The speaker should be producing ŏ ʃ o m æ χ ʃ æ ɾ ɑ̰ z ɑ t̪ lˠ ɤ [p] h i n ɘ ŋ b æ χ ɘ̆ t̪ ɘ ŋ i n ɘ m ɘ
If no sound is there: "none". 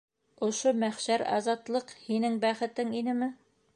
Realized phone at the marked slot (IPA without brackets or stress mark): q